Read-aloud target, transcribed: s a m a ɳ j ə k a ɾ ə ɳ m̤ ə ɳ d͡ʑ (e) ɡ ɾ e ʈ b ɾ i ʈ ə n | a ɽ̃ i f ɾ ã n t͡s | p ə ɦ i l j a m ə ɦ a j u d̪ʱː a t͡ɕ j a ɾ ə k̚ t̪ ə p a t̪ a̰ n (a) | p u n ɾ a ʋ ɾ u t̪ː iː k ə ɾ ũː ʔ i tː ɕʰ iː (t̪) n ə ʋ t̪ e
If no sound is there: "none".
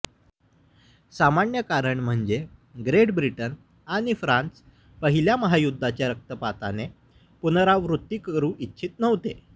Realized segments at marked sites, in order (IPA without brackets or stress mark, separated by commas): e, e, t̪